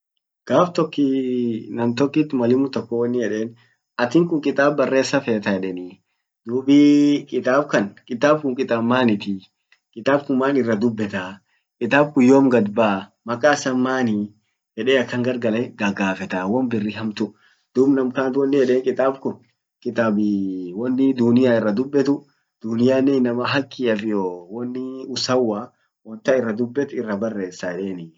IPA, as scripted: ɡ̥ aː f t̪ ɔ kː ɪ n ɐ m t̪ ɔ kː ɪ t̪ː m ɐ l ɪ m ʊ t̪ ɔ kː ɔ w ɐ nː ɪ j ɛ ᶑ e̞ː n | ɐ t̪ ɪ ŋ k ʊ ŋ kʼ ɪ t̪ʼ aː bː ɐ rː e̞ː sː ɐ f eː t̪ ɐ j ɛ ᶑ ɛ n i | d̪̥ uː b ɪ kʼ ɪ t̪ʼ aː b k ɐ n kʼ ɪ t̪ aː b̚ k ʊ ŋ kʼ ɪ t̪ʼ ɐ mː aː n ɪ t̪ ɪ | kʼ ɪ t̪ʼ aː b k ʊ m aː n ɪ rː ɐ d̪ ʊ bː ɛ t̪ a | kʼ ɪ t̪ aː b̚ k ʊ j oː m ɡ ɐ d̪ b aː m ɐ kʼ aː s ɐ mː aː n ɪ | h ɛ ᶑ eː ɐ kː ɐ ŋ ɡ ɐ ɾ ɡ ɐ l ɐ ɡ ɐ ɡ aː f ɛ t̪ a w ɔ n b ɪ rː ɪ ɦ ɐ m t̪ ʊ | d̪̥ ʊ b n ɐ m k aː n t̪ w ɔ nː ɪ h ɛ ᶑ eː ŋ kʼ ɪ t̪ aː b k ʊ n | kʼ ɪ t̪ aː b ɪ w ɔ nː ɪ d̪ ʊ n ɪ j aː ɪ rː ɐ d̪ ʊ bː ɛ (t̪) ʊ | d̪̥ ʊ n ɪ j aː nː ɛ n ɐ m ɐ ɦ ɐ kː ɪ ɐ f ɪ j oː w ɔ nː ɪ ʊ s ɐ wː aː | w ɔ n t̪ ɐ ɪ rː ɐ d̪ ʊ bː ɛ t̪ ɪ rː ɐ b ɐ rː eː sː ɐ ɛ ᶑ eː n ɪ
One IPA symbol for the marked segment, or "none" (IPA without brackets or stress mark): t̪